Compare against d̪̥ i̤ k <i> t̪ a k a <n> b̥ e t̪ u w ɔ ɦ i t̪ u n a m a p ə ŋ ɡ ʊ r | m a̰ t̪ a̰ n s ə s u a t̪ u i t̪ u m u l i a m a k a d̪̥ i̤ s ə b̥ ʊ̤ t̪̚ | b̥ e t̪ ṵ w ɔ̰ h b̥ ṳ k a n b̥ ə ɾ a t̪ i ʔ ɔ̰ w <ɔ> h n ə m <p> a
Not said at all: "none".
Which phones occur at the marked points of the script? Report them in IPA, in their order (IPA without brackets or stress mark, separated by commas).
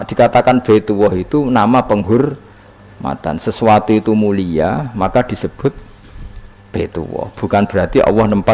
a, n, ɔ, p